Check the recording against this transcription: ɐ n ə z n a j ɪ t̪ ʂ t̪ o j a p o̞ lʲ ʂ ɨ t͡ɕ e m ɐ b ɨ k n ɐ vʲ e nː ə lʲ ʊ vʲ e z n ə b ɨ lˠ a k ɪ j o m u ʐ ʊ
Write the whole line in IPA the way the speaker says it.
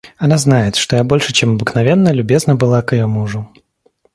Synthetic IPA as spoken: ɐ n a z n a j ɪ t̪ ʂ t̪ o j a b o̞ lʲ ʂ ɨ t͡ɕ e m ɐ b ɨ k n ɐ vʲ e nː ə lʲ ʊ bʲ e z n ə b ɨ lˠ a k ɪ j o m u ʐ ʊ